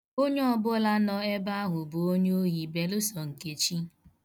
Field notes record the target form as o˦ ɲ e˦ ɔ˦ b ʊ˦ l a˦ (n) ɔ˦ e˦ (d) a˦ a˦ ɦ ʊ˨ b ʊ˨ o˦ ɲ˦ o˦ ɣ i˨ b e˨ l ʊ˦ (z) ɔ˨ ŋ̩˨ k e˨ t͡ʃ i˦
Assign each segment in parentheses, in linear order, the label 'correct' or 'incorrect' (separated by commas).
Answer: correct, incorrect, incorrect